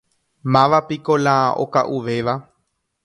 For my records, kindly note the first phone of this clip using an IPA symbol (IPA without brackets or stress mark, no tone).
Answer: m